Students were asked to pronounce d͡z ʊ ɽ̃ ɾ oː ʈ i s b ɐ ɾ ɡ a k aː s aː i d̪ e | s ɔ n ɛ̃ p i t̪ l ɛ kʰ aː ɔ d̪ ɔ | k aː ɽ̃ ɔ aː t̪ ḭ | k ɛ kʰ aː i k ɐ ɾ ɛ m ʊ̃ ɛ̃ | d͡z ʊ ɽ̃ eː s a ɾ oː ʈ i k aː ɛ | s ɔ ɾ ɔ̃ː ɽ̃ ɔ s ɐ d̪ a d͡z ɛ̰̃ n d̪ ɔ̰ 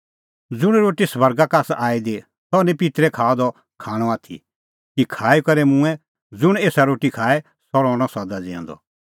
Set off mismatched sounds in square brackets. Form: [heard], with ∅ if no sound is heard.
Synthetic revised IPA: d͡z ʊ ɽ̃ ɾ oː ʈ i s b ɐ ɾ ɡ a k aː s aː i d̪ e | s ɔ n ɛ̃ p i t̪ [ɾ] ɛ kʰ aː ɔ d̪ ɔ | [kʰ] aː ɽ̃ ɔ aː [t̪ʰ] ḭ | k [i] kʰ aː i k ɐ ɾ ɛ m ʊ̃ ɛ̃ | d͡z ʊ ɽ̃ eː s a ɾ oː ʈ i [kʰ] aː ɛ | s ɔ ɾ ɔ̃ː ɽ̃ ɔ s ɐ d̪ a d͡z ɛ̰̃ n d̪ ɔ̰